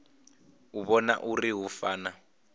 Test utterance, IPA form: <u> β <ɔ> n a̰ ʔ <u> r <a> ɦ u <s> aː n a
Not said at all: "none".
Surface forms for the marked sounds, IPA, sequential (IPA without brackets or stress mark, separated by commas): u, ɔ, u, i, f